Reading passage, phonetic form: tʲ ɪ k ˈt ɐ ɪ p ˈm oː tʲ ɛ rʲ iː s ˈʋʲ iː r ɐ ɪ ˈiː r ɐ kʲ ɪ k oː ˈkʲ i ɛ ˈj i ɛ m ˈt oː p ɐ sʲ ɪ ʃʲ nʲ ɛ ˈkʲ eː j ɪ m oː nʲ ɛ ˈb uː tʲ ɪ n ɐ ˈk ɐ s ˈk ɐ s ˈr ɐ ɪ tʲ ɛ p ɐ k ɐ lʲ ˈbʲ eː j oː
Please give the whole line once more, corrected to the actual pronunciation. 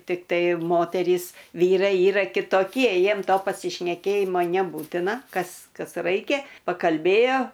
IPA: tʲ ɪ k ˈt ɐ ɪ ˈm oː tʲ ɛ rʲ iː s ˈʋʲ iː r ɐ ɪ ˈiː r ɐ kʲ ɪ t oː ˈkʲ i ɛ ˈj i ɛ m ˈt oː p ɐ sʲ ɪ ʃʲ nʲ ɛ ˈkʲ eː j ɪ m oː nʲ ɛ ˈb uː tʲ ɪ n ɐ ˈk ɐ s ˈk ɐ s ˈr ɐ ɪ kʲ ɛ p ɐ k ɐ lʲ ˈbʲ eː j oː